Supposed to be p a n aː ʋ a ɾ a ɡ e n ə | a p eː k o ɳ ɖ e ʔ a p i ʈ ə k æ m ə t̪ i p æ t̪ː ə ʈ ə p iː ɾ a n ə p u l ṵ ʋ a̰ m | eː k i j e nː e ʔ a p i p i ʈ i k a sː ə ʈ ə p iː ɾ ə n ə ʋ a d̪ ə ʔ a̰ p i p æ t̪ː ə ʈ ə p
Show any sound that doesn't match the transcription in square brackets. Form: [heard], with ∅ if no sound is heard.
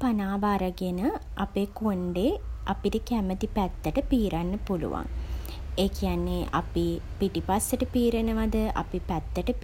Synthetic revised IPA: p a n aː ʋ a ɾ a ɡ e n ə | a p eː k o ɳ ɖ e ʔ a p i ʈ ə k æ m ə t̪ i p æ t̪ː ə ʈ ə p iː ɾ a [nː] ə p u l ṵ ʋ a̰ [ŋ] | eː k i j [a] nː e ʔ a p i p i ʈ i [p] a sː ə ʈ ə p iː ɾ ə n ə ʋ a d̪ ə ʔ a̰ p i p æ t̪ː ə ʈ ə p